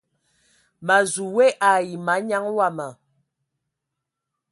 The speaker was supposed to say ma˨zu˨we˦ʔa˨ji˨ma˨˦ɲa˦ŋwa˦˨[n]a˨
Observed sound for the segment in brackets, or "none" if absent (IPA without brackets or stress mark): m